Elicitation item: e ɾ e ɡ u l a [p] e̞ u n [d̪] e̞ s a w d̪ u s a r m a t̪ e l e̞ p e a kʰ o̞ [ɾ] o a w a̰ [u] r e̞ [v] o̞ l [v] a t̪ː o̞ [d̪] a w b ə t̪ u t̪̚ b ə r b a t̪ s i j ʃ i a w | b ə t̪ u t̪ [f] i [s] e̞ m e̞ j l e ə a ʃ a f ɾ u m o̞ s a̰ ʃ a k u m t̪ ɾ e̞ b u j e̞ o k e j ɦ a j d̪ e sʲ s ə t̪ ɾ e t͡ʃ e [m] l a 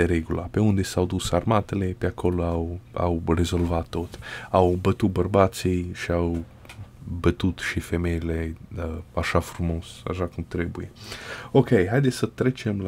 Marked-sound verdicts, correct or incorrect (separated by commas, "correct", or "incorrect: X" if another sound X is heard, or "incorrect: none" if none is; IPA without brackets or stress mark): correct, correct, incorrect: l, incorrect: w, incorrect: z, correct, incorrect: t̪, incorrect: ʃ, incorrect: f, correct